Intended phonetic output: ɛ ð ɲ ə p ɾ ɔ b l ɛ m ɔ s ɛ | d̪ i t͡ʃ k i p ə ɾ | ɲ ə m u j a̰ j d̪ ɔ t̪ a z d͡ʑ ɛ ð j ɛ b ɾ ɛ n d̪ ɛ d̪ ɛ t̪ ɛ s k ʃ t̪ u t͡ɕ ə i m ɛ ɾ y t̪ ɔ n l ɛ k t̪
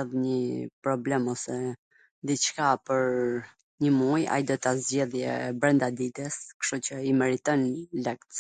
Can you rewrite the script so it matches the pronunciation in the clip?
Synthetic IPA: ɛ ð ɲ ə p ɾ ɔ b l ɛ m ɔ s ɛ | d̪ i t͡ʃ k a p ə ɾ | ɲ ə m u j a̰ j d̪ ɔ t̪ a z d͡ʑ ɛ ð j ɛ b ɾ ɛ n d̪ a d̪ i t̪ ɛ s k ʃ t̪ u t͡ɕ ə i m ɛ ɾ i t̪ ɔ n l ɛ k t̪